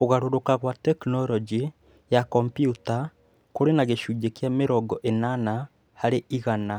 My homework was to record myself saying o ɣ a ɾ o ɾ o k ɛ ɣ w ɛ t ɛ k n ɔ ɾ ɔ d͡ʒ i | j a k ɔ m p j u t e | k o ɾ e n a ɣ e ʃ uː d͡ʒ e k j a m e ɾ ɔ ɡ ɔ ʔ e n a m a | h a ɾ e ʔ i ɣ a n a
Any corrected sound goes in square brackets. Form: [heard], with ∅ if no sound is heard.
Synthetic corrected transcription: o ɣ a ɾ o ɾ o k [a] ɣ w [a] t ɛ k n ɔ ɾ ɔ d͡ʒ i | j a k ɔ m p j u t [a] | k o ɾ e n a ɣ e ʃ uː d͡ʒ e k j a m e ɾ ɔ ɡ ɔ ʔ e n a [n] a | h a ɾ e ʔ i ɣ a n a